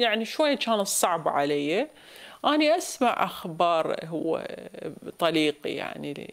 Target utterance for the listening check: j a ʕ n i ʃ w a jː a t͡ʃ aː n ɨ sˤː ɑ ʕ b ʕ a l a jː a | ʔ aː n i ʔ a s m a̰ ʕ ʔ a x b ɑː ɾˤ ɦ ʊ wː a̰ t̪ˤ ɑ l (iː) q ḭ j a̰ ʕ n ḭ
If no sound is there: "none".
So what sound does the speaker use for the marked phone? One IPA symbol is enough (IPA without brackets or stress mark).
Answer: iː